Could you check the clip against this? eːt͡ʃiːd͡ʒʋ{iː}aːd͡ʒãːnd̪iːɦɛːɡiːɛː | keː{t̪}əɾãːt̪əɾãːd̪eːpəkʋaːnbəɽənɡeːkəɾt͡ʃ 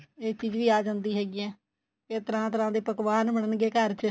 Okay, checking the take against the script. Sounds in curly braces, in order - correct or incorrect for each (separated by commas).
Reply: correct, correct